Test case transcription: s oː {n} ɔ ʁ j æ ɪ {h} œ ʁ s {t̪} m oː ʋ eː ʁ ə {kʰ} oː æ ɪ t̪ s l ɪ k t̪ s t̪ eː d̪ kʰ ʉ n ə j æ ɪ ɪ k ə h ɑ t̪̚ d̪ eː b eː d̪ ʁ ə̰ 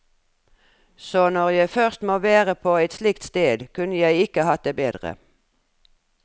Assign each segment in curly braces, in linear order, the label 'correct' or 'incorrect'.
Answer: correct, incorrect: f, correct, incorrect: pʰ

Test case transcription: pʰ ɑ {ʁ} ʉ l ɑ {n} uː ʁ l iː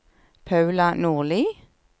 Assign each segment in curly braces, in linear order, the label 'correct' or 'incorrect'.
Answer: incorrect: none, correct

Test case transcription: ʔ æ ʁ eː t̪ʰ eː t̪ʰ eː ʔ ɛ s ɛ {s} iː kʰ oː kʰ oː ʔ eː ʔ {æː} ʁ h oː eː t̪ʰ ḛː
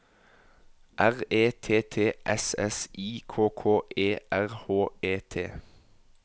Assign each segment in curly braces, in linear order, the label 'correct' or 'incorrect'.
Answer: correct, incorrect: æ

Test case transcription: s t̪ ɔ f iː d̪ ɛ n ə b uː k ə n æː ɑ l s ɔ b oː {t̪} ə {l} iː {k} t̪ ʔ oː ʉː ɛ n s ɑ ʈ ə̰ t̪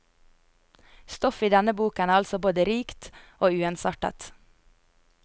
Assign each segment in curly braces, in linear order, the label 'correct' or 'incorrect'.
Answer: incorrect: d̪, incorrect: ɾ, correct

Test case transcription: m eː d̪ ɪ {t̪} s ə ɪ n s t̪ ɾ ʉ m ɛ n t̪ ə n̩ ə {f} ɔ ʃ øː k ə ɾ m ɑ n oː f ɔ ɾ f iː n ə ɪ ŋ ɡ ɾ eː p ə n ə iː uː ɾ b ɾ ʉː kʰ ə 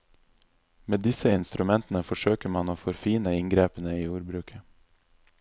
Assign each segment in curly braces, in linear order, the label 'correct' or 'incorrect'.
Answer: incorrect: none, correct

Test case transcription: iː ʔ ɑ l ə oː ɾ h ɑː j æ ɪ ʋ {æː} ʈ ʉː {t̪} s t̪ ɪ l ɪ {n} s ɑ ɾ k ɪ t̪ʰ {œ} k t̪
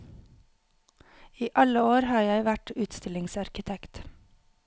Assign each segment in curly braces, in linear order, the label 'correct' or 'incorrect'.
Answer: incorrect: æ, correct, incorrect: ŋ, incorrect: ɛ

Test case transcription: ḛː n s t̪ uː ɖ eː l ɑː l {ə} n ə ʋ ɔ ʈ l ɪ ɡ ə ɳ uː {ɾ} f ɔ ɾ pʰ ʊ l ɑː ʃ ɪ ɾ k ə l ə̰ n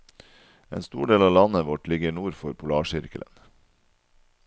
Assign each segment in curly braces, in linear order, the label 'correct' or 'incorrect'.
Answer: incorrect: ɑ, correct

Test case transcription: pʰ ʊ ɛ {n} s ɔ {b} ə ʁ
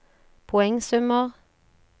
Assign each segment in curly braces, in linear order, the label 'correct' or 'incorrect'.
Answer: incorrect: ŋ, incorrect: m

